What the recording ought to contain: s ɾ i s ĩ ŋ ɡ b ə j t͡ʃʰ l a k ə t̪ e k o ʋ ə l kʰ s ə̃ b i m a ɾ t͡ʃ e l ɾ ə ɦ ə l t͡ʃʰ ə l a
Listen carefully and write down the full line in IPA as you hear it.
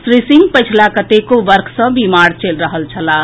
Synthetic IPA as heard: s ɾ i s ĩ ŋ ɡ p ə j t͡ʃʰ l a k ə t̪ e k o ʋ ə ɾ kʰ s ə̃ b i m a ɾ t͡ʃ e l ɾ ə ɦ ə l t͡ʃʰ ə l a